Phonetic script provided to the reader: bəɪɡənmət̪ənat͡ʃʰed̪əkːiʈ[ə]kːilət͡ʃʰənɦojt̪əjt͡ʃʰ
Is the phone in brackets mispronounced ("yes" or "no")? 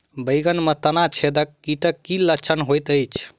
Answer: no